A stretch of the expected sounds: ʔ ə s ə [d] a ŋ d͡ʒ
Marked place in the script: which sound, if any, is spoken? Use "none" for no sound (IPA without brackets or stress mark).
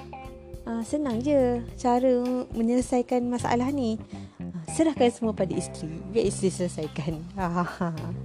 n